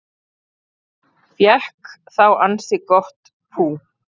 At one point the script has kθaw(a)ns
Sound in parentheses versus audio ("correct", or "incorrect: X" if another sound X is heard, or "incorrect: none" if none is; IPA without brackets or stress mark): correct